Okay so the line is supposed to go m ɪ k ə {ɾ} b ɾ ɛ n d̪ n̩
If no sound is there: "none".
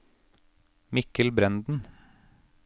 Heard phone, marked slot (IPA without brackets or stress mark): l